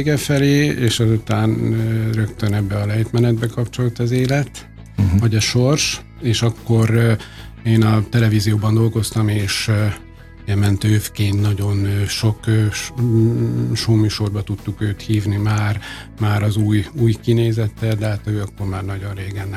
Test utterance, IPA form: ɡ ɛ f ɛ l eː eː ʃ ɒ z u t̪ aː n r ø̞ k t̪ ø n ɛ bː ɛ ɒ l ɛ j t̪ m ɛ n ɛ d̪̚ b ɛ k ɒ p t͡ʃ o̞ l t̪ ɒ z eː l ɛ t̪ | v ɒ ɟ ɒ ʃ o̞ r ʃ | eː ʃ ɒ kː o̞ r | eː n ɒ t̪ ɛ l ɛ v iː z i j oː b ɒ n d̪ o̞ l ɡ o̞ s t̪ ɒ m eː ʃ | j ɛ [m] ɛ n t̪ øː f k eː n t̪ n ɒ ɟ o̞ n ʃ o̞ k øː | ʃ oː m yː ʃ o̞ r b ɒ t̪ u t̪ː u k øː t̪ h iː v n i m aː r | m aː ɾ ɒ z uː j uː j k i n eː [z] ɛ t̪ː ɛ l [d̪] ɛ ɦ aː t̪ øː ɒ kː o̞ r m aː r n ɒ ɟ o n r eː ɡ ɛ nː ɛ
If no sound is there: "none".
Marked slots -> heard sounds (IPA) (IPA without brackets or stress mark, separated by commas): m, z, d̪